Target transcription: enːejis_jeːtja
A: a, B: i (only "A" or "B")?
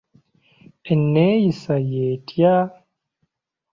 A